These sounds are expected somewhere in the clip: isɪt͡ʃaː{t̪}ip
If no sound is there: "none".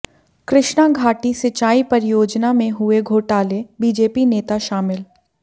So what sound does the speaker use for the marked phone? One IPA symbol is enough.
none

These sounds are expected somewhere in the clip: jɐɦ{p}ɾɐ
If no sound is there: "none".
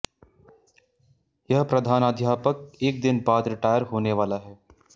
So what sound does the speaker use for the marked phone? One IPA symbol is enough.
p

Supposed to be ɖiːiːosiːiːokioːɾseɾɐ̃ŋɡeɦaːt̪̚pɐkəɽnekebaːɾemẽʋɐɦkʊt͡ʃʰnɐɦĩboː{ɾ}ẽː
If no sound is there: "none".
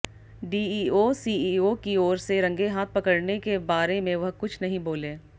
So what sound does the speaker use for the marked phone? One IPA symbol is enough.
l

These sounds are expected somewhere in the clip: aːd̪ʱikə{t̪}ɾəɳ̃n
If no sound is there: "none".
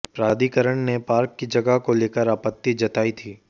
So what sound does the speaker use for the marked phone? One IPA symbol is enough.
none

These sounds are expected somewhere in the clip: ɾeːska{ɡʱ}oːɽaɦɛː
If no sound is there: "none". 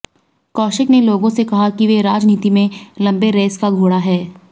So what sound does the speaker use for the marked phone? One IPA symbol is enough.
ɡʱ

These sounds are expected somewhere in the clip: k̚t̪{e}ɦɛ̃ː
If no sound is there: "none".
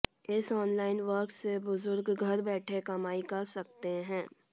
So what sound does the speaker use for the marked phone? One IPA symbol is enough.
e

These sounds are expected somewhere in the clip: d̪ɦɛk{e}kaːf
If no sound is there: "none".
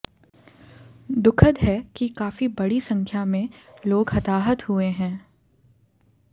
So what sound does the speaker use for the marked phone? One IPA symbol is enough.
i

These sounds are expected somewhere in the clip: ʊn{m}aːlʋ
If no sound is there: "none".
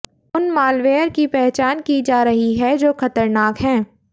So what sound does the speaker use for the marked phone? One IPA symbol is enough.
m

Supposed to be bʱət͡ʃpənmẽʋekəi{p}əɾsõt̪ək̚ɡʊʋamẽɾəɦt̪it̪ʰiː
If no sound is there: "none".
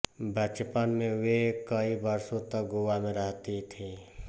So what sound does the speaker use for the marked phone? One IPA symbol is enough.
b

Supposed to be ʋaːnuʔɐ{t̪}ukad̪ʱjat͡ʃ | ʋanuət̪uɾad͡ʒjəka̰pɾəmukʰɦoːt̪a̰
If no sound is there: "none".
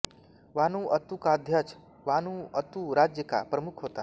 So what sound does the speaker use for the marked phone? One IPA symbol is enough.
t̪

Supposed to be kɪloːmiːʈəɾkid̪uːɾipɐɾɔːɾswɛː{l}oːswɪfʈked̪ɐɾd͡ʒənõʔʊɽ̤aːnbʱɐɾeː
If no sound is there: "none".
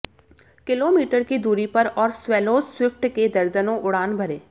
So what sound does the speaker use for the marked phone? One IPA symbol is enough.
l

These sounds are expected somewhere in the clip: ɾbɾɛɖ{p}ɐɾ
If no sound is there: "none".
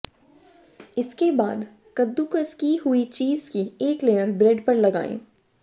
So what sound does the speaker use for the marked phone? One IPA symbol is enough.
p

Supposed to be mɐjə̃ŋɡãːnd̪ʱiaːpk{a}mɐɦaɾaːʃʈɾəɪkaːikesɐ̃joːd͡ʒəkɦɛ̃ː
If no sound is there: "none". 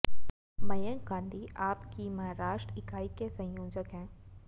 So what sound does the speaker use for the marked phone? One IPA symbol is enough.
i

